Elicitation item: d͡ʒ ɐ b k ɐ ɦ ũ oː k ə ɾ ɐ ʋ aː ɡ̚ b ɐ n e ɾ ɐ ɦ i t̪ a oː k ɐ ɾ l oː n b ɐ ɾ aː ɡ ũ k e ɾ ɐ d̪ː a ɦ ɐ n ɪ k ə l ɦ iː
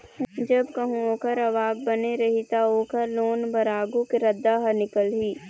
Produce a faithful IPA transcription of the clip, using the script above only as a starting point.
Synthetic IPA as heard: d͡ʒ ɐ b k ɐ ɦ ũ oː k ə ɾ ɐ ʋ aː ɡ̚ b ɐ n e ɾ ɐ ɦ i t̪ a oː k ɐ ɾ l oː n b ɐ ɾ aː ɡ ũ k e ɾ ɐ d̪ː a ɦ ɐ n ɪ k ə l ɦ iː

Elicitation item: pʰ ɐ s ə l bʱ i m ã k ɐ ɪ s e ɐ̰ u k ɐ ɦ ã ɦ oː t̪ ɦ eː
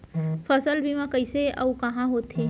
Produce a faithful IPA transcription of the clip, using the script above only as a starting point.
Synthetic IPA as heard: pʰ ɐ s ə l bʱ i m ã k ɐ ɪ s e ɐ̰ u k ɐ ɦ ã ɦ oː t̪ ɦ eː

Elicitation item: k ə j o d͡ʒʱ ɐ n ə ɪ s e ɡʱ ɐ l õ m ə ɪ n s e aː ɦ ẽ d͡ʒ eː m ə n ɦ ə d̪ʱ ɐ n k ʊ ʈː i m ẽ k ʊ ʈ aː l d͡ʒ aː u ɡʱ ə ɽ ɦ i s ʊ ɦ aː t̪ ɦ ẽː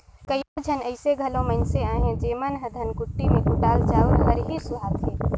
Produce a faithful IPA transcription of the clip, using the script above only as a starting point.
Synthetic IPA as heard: k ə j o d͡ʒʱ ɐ n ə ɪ s e ɡʱ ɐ l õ m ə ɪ n s e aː ɦ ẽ d͡ʒ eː m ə n ɦ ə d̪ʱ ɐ n k ʊ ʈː i m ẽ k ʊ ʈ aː l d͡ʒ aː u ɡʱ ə ɾ ɦ i s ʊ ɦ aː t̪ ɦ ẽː

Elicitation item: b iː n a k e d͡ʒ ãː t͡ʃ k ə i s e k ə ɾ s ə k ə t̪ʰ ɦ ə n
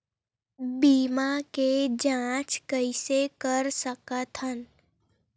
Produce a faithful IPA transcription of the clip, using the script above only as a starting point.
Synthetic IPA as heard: b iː m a k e d͡ʒ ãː t͡ʃ k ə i s e k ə ɾ s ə k ə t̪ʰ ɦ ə n

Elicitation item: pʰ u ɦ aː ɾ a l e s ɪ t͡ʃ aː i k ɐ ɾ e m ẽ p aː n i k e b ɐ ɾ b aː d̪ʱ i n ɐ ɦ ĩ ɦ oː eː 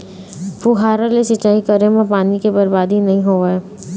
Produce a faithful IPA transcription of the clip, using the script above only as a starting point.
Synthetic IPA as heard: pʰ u ɦ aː ɾ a l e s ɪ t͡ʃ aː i k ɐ ɾ e m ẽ p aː n i k e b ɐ ɾ b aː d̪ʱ i n ɐ ɦ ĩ ɦ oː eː

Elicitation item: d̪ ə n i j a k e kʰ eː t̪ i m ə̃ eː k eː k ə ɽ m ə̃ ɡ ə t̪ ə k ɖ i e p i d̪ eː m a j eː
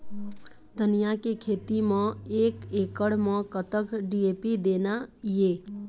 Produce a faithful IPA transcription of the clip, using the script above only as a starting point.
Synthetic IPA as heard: d̪ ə n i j a k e kʰ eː t̪ i m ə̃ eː k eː k ə ɽ m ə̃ k ə t̪ ə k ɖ i e p i d̪ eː n a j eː

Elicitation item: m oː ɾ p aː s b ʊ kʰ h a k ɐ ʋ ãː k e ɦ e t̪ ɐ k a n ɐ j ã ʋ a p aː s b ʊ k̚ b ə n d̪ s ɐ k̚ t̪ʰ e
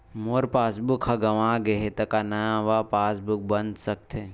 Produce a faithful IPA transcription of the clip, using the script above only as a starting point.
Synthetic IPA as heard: m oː ɾ p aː s b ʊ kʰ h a ɡ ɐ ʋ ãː ɡ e ɦ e t̪ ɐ k a n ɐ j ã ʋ a p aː s b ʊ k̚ b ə n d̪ s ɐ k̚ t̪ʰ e

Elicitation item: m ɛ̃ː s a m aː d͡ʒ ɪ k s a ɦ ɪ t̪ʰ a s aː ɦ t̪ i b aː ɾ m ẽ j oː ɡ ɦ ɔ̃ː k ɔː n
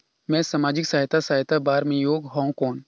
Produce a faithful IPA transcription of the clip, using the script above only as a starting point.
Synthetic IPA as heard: m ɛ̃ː s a m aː d͡ʒ ɪ k s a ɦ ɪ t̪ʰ a s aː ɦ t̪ a b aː ɾ m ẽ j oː ɡ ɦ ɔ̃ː k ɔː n

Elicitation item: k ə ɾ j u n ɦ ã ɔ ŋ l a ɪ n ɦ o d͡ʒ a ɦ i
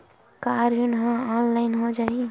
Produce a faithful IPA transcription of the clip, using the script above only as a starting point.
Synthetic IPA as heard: k a ɾ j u n ɦ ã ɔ n l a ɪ n ɦ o d͡ʒ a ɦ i

